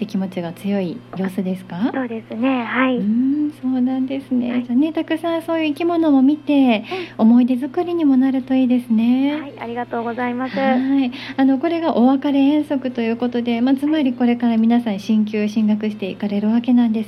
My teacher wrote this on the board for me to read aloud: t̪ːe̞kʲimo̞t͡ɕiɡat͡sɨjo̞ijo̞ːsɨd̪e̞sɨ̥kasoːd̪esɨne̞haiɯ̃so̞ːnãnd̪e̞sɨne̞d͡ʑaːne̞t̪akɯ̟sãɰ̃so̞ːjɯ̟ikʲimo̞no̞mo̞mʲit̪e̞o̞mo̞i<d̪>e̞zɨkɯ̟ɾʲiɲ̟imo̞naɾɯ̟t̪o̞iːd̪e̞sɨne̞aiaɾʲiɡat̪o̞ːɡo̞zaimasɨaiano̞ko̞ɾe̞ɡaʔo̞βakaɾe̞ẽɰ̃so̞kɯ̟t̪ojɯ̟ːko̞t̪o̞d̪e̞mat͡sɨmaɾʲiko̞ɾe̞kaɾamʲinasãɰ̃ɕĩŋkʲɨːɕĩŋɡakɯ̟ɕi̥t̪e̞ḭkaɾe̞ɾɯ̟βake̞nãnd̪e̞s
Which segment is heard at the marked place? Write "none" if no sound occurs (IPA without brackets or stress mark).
d̪